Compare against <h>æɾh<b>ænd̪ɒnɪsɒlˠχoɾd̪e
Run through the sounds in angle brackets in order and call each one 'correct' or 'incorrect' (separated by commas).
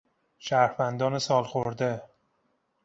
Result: incorrect, incorrect